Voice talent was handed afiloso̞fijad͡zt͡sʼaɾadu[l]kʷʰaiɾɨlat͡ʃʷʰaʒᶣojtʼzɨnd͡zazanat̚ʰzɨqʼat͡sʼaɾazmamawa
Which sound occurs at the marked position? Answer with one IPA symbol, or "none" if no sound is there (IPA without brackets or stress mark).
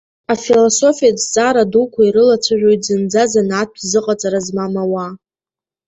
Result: none